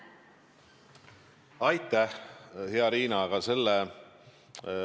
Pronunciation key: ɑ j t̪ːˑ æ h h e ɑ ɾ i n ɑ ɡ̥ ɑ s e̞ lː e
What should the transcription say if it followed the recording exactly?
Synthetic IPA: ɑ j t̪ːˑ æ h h e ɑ ɾ iː n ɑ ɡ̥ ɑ s e̞ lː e